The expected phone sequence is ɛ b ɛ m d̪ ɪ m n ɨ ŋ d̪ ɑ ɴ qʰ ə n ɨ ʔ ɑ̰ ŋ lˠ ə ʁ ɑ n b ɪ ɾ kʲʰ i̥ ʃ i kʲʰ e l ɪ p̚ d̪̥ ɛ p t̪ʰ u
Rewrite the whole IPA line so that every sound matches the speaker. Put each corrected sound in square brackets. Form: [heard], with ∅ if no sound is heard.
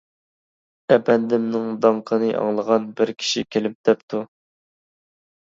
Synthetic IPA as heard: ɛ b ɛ [n] d̪ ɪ m n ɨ ŋ d̪ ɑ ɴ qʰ ə n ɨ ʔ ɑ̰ ŋ lˠ ə ʁ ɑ n b ɪ ɾ kʲʰ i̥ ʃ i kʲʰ e l ɪ p̚ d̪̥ ɛ p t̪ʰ u